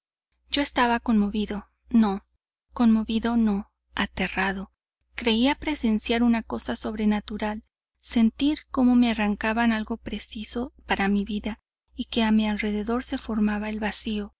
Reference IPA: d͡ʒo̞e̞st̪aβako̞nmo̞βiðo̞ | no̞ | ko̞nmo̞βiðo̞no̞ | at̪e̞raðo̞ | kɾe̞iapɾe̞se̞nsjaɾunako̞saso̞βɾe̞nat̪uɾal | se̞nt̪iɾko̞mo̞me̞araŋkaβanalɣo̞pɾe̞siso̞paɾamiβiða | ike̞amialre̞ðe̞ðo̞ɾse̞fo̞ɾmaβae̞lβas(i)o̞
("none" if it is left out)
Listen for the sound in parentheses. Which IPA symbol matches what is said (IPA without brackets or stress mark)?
i